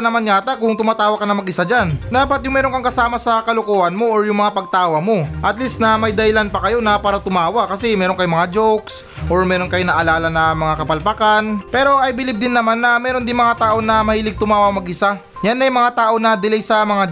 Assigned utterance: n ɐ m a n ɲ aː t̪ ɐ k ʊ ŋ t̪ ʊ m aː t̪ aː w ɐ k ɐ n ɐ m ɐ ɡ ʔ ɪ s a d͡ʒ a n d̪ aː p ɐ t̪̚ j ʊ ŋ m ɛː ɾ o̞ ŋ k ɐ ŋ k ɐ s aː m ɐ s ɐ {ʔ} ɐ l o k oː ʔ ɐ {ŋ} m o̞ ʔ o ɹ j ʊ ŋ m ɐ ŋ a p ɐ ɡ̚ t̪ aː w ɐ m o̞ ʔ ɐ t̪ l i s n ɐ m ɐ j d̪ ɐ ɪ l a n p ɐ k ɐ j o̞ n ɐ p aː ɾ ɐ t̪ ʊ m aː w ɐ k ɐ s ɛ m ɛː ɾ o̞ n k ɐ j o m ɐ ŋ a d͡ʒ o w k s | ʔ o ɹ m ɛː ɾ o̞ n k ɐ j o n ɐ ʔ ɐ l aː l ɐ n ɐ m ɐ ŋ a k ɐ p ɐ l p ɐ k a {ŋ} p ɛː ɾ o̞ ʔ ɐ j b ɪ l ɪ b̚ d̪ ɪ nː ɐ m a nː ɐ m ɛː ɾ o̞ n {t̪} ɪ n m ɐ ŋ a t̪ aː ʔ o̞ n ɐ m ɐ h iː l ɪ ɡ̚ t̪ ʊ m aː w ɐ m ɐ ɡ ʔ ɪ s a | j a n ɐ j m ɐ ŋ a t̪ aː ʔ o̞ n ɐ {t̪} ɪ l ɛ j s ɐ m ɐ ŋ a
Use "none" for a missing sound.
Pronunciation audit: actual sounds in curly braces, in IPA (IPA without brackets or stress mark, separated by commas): k, n, n, d̪, d̪